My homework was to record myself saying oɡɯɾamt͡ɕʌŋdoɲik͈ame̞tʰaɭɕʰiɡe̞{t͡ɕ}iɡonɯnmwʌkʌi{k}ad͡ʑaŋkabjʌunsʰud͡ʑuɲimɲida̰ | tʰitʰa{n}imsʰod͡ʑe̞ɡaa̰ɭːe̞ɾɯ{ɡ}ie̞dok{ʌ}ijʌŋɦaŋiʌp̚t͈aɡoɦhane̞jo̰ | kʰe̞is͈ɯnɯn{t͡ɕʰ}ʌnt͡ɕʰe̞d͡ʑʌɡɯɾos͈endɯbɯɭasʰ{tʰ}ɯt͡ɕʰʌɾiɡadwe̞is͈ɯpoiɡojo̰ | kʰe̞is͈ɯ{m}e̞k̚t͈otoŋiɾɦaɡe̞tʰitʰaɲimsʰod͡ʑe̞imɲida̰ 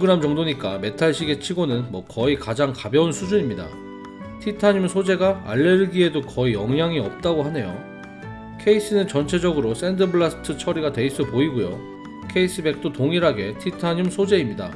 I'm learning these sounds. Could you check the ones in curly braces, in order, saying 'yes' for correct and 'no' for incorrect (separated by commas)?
no, yes, no, yes, yes, no, yes, no